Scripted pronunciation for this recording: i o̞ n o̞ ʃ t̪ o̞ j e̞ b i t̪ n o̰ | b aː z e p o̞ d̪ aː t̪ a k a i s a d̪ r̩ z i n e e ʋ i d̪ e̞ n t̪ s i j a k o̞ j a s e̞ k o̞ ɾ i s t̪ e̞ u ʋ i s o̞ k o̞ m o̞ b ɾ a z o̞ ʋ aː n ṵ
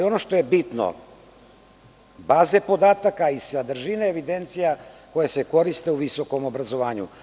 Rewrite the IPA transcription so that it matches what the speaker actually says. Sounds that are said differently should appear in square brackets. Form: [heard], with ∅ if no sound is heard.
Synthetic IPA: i o̞ n o̞ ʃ t̪ o̞ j e̞ b i t̪ n o̰ | b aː z e p o̞ d̪ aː t̪ a k a i s a d̪ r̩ [ʒ] i n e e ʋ i d̪ e̞ n t̪ s i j a k o̞ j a s e̞ k o̞ ɾ i s t̪ e̞ u ʋ i s o̞ k o̞ m o̞ b ɾ a z o̞ ʋ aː [ɲ] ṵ